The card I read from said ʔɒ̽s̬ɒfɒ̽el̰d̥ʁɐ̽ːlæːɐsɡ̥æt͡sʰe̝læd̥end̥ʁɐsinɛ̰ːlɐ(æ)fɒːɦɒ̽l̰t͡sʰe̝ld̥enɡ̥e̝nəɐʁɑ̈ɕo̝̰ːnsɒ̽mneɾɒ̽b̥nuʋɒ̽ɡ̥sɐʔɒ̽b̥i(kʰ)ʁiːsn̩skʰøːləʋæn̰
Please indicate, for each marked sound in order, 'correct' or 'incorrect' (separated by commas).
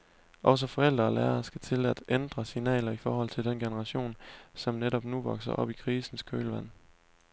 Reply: incorrect, correct